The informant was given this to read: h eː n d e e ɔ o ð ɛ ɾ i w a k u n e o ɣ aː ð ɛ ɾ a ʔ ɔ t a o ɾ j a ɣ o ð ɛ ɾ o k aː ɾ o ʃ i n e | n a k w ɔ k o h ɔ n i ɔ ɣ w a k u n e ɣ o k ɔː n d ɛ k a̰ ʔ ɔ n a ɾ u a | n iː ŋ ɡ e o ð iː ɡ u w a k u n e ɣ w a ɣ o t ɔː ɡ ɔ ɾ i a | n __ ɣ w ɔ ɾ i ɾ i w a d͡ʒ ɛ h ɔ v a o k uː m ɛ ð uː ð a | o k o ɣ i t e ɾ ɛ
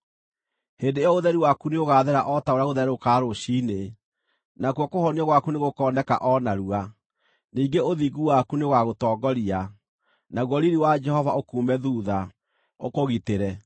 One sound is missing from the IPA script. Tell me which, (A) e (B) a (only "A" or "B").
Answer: B